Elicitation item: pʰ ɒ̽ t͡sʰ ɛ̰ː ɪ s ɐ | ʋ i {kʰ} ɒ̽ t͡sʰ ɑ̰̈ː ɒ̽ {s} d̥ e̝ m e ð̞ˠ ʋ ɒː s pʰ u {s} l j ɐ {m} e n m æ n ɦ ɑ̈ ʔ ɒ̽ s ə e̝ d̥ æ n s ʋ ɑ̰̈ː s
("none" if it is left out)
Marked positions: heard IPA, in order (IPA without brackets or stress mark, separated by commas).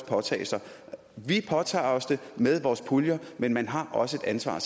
pʰ, s, none, m